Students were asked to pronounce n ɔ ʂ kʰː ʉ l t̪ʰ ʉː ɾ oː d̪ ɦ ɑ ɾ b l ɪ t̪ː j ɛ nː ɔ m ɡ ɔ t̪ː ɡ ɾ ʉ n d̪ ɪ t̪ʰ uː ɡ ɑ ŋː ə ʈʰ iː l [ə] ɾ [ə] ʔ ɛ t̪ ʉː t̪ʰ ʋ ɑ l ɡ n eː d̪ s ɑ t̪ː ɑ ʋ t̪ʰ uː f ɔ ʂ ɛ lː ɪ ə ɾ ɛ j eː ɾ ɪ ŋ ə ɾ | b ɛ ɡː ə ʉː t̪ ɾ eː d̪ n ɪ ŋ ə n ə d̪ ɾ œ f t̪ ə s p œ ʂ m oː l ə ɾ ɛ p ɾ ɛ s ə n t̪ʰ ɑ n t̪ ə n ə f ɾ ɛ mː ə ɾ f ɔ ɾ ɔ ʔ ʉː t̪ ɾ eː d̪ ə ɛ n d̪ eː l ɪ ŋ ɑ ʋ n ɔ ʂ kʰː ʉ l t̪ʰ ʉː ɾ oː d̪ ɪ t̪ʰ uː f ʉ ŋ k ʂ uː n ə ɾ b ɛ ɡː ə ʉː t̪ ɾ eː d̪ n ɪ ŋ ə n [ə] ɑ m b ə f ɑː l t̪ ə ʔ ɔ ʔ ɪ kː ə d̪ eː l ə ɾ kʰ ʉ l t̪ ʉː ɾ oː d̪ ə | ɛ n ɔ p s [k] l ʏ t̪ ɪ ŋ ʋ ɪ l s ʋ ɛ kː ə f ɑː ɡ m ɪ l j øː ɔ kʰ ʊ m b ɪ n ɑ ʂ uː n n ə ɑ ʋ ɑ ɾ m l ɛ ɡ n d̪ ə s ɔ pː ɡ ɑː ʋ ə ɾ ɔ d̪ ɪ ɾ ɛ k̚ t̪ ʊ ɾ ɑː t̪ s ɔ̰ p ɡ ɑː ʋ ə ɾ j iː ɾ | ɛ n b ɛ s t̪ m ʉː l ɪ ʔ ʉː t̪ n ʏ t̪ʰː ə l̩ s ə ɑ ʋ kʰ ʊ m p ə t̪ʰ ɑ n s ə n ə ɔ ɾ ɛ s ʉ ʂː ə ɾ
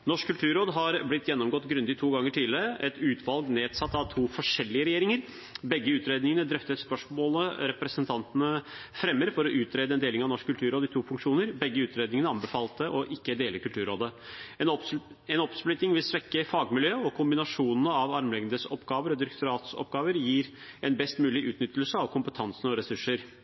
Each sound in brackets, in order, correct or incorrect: correct, correct, correct, incorrect: p

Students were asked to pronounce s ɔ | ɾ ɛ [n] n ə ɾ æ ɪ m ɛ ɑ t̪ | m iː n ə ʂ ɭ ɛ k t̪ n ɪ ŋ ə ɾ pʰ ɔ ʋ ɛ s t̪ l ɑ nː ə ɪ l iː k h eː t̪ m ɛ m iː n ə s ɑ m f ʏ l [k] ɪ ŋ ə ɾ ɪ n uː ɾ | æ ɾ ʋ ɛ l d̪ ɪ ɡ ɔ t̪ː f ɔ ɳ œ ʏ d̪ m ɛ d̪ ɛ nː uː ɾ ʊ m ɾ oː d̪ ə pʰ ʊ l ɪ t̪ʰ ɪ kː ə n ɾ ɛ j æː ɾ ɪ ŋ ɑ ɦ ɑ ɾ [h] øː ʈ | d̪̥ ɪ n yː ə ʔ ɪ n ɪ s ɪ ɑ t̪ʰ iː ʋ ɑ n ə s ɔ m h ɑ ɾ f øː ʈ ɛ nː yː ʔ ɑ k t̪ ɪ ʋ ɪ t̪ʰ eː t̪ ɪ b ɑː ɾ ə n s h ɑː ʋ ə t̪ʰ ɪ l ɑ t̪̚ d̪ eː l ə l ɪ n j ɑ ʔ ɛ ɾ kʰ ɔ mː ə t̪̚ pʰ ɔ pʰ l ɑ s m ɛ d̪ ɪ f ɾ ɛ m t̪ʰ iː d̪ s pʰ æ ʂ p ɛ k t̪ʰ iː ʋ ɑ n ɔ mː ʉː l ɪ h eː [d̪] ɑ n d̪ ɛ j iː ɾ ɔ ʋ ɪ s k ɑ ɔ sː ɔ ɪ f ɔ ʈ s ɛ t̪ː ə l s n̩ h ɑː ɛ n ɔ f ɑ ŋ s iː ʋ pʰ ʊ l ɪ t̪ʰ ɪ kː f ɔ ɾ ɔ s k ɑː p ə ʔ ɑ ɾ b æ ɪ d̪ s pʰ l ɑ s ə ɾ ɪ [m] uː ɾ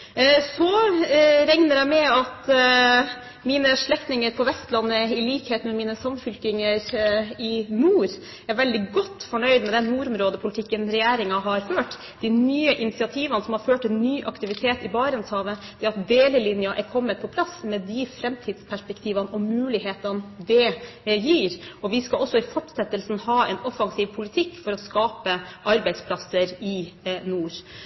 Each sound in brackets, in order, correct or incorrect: incorrect: ŋ, correct, incorrect: f, incorrect: t̪, incorrect: n

